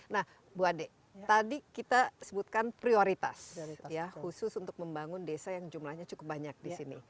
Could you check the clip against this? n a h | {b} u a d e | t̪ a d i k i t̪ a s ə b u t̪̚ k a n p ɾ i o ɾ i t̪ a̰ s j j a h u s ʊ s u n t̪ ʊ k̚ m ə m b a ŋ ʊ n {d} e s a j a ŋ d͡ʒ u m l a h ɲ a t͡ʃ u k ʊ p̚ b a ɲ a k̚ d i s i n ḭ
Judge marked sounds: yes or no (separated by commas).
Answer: yes, yes